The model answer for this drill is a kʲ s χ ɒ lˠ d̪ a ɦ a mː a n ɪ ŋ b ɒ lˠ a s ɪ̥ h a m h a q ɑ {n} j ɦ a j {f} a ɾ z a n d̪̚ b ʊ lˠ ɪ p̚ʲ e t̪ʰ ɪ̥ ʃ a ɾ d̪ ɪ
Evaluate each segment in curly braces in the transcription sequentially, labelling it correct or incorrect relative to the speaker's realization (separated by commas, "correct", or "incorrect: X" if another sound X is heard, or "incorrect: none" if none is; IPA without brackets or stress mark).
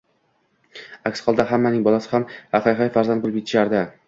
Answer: incorrect: none, correct